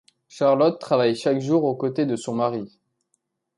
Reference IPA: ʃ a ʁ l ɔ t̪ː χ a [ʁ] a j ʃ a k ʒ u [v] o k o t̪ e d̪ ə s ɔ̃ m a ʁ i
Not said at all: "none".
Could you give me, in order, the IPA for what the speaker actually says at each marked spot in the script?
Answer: v, ʁ

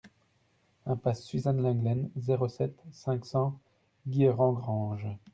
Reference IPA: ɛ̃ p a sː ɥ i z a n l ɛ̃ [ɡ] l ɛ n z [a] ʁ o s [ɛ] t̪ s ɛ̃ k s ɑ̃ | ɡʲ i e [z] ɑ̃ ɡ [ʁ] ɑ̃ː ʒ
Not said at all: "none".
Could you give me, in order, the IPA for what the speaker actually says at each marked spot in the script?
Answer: ɡ, e, ɛ, ʁ, ʁ

